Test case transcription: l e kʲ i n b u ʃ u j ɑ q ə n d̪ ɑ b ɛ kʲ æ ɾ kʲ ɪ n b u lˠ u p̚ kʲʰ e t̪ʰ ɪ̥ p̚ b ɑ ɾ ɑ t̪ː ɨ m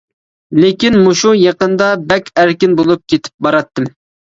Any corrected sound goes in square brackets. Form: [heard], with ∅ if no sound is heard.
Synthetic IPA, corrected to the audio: l e kʲ i n [m] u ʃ u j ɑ q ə n d̪ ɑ b ɛ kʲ æ ɾ kʲ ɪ n b [o] lˠ u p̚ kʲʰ e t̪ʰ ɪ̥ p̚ b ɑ ɾ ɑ t̪ː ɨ m